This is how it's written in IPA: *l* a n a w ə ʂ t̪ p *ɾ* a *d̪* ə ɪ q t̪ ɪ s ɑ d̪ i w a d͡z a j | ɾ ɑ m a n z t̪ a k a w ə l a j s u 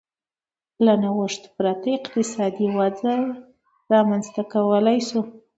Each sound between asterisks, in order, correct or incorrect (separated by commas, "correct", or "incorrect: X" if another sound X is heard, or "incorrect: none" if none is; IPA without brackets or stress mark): correct, correct, incorrect: t̪